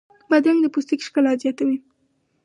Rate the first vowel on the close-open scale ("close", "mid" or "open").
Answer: open